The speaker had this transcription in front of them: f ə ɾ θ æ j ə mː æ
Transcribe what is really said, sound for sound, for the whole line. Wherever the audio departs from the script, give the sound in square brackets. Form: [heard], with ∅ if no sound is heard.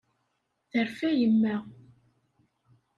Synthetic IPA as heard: [θ] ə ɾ [f] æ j ə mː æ